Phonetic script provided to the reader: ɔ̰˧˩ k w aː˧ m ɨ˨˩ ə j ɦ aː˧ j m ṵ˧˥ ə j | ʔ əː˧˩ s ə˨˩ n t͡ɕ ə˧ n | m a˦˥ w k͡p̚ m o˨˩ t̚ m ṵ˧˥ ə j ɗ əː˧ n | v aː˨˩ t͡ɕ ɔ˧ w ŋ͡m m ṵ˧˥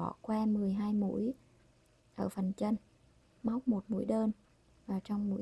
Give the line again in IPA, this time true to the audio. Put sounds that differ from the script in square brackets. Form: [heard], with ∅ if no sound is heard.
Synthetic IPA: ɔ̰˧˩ k w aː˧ m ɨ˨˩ ə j ɦ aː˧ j m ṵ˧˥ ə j | ʔ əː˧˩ [f] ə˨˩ n t͡ɕ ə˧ n | m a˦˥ w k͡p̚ m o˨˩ t̚ m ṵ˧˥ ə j ɗ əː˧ n | v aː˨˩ t͡ɕ ɔ˧ w ŋ͡m m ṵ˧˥